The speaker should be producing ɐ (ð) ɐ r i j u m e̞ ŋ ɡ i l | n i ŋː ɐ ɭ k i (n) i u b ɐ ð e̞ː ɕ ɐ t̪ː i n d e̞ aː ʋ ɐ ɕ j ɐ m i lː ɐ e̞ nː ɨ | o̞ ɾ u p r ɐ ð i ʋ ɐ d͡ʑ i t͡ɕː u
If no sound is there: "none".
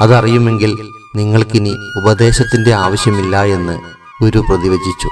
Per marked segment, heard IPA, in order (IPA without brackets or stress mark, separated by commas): ð, n